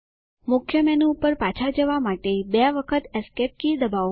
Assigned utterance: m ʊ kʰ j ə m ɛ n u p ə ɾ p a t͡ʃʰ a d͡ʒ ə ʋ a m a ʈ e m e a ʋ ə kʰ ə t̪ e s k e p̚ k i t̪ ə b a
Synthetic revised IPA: m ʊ kʰ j ə m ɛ n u p ə ɾ p a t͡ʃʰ a d͡ʒ ə ʋ a m a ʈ e b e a ʋ ə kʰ ə t̪ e s k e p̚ k i d̪ ə b a